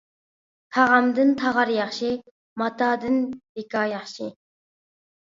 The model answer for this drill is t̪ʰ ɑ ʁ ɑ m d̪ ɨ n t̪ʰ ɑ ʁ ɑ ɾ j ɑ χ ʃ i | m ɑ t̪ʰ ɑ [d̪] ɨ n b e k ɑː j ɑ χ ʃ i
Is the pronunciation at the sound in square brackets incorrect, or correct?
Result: correct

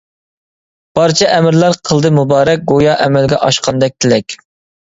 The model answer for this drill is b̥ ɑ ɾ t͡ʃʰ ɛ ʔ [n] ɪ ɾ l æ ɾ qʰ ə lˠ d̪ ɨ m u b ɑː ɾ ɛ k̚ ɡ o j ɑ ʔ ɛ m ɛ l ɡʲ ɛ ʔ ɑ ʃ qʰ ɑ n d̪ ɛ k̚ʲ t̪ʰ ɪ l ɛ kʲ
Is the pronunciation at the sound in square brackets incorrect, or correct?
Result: incorrect: m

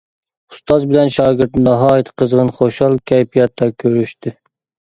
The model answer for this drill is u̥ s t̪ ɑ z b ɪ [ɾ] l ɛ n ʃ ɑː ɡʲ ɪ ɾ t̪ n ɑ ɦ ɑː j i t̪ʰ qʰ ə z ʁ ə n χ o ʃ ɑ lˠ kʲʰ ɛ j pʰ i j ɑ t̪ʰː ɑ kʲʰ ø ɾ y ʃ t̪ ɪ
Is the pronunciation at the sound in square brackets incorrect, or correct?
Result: incorrect: none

